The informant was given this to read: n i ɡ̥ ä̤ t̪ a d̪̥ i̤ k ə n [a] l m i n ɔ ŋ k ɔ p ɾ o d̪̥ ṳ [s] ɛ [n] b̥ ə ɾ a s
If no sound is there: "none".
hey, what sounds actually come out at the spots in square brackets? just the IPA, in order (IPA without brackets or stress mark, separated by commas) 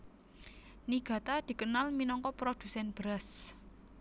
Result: a, s, n